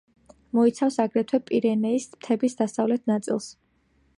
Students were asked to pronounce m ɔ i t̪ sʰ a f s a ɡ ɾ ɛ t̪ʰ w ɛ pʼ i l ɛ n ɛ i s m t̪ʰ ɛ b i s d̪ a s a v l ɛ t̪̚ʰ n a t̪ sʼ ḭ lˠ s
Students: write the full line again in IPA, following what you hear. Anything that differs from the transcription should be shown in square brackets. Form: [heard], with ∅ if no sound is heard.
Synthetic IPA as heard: m ɔ i t̪ sʰ a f s a ɡ ɾ ɛ t̪ʰ w ɛ pʼ i [ɾ] ɛ n ɛ i s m t̪ʰ ɛ b i s d̪ a s a v l ɛ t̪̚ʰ n a t̪ sʼ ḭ lˠ s